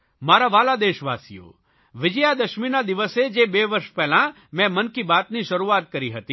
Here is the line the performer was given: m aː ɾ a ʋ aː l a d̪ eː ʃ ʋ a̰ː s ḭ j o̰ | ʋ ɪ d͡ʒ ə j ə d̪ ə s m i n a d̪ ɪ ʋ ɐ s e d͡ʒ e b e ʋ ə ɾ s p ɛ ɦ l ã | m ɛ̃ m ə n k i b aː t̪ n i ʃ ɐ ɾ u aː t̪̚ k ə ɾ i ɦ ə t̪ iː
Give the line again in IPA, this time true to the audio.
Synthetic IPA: m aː ɾ a ʋ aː l a d̪ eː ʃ ʋ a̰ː s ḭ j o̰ | ʋ ɪ d͡ʒ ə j a d̪ ə ʃ m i n a d̪ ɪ ʋ ə s e d͡ʒ e b e ʋ ə ɾ ʃ p ɛ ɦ l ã | m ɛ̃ m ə n k i b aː t̪ n i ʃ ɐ ɾ u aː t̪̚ k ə ɾ i ɦ ə t̪ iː